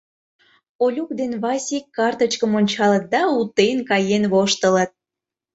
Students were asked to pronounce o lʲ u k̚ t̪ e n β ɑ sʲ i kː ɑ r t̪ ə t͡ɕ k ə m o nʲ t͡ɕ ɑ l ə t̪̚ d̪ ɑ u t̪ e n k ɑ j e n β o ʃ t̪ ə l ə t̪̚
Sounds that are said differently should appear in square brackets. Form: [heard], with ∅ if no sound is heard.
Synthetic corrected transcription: o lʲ u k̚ [d̪] e n β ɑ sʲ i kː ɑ r t̪ ə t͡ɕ k ə m o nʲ t͡ɕ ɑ l ə t̪̚ d̪ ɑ u t̪ e n k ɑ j e n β o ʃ t̪ ə l ə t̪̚